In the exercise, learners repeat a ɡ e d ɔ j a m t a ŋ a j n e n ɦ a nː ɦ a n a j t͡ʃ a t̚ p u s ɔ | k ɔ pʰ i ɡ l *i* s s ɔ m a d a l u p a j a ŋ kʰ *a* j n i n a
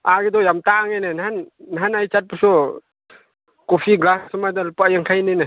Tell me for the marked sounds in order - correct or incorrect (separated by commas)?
incorrect, correct